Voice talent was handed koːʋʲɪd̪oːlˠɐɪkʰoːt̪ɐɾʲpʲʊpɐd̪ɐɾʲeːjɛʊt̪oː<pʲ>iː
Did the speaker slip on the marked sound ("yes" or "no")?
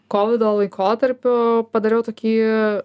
yes